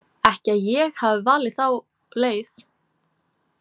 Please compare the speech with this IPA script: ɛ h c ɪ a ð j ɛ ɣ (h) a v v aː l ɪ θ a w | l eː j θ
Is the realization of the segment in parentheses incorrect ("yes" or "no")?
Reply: no